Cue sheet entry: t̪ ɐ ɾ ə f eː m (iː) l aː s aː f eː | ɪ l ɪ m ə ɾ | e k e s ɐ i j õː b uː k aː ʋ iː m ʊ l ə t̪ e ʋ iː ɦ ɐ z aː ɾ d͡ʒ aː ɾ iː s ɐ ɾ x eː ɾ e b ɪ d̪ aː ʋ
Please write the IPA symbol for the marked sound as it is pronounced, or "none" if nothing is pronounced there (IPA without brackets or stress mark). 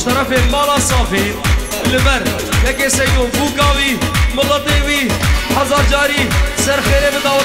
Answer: aː